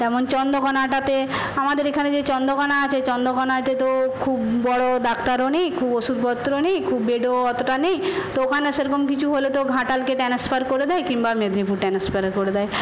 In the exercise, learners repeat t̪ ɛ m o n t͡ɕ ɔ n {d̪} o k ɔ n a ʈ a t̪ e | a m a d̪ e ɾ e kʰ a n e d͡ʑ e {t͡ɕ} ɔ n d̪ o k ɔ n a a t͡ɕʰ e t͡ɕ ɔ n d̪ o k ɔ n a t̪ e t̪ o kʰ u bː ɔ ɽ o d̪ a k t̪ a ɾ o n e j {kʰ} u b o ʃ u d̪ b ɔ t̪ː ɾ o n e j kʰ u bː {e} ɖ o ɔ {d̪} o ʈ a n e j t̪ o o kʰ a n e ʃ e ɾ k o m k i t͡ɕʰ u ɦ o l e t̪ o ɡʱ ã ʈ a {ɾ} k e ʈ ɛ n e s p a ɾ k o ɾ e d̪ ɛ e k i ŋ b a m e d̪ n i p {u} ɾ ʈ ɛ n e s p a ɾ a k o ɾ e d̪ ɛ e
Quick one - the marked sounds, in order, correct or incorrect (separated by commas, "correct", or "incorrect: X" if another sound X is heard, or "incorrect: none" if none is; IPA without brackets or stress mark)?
correct, correct, correct, correct, incorrect: t̪, incorrect: l, correct